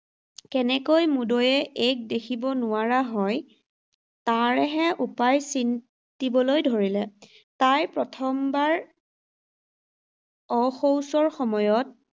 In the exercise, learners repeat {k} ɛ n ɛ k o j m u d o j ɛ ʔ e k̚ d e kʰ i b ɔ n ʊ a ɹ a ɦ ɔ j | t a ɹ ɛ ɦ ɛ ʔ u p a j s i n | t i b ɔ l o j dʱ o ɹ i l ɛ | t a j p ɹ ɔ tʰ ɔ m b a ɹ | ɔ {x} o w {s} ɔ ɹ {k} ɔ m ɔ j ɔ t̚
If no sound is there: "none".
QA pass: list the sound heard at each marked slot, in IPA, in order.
k, x, s, x

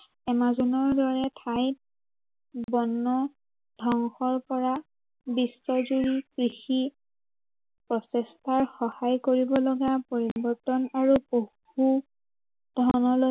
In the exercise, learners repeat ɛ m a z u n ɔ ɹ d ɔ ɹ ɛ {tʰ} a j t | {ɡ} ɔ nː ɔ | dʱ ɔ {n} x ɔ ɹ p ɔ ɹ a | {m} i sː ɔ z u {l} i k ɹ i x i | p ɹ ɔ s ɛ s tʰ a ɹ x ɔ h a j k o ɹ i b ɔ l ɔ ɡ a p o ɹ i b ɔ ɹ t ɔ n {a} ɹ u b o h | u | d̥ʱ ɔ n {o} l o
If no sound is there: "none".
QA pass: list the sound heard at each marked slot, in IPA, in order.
tʰ, b, ŋ, b, ɹ, a, ɔ

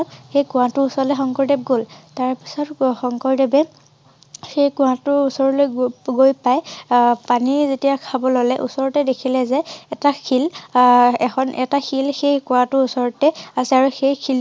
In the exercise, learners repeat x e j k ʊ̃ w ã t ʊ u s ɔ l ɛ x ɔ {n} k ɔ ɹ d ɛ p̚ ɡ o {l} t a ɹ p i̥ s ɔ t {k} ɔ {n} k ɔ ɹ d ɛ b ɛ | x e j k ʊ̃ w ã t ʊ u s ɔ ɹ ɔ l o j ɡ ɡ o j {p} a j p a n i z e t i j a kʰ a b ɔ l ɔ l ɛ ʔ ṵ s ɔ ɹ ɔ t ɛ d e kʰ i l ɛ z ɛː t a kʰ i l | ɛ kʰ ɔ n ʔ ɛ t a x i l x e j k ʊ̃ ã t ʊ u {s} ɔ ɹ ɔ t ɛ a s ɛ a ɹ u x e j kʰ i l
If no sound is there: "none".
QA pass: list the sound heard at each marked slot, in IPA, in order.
ŋ, l, x, ŋ, p, s

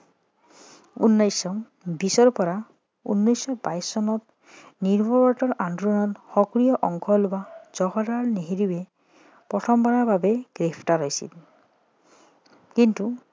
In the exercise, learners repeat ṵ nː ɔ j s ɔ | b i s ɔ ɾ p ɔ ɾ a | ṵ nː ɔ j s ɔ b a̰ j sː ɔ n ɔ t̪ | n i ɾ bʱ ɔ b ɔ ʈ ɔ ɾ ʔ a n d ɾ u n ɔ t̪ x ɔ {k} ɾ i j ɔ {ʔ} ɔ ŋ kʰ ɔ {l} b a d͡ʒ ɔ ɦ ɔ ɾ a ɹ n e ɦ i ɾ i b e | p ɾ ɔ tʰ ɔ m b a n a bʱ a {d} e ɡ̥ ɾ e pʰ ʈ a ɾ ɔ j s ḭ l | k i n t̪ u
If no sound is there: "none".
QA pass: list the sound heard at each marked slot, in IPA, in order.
k, ʔ, l, b

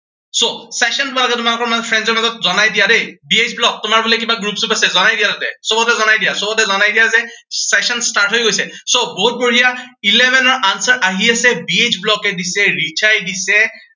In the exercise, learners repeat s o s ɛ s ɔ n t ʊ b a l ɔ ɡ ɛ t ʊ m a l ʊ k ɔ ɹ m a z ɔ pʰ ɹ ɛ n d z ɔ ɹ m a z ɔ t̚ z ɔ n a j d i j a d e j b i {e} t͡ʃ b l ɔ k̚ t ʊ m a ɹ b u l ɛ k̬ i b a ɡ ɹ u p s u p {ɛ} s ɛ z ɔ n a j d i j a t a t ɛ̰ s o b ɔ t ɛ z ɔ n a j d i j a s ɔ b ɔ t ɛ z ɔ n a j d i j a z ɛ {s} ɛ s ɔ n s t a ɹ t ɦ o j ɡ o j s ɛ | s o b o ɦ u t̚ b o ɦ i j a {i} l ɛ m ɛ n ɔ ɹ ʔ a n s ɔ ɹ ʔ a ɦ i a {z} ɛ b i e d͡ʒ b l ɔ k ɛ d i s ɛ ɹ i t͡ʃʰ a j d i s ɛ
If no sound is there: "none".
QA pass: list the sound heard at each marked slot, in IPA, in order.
e, a, s, i, s

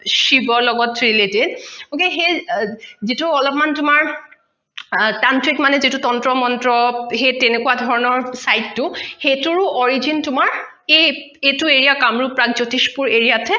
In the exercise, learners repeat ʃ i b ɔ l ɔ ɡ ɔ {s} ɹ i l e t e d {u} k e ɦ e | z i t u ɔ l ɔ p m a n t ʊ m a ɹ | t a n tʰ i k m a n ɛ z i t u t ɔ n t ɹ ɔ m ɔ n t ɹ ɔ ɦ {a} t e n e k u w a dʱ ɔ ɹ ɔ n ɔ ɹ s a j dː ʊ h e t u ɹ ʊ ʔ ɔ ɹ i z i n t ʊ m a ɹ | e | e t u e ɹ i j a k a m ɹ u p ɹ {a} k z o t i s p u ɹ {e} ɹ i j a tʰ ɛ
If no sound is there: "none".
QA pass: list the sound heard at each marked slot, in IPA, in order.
t, o, e, a, e

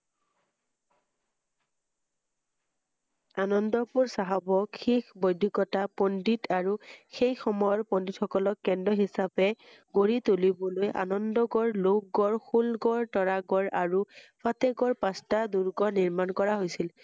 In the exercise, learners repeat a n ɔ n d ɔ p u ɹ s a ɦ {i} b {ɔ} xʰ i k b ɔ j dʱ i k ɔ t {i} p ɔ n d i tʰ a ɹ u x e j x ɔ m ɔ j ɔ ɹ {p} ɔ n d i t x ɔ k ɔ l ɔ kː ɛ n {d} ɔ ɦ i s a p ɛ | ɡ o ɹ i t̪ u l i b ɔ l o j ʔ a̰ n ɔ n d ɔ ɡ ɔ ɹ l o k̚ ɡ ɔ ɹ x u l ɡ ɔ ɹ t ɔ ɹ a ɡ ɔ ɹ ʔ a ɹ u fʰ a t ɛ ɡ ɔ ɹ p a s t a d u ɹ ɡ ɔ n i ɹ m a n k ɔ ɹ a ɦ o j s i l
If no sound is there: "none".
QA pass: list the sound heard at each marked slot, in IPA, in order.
a, ɔ, a, p, d

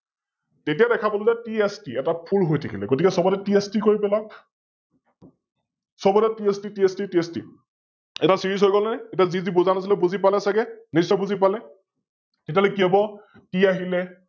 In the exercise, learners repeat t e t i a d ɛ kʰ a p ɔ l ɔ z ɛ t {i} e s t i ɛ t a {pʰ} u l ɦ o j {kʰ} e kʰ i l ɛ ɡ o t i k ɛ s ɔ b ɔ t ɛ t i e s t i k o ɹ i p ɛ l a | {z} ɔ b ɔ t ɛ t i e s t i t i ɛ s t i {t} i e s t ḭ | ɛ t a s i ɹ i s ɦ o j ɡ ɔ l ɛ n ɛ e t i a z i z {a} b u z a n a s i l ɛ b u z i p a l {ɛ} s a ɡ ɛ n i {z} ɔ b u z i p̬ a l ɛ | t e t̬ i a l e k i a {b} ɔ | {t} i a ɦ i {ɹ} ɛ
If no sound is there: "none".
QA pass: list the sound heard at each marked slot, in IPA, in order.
i, pʰ, tʰ, s, t, i, ɛ, s, b, t, l

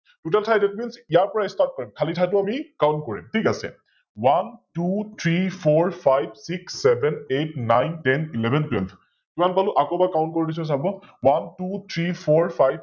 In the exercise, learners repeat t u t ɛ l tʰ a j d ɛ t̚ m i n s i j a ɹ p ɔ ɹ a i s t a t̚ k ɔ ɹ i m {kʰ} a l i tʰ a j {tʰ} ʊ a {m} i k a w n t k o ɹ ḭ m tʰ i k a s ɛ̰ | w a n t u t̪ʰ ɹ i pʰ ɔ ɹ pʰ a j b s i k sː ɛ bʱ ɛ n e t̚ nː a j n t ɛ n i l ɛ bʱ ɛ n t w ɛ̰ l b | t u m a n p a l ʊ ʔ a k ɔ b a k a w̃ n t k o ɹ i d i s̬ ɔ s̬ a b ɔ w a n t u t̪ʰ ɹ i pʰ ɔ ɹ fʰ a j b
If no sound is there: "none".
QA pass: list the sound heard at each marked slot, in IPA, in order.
kʰ, t, m

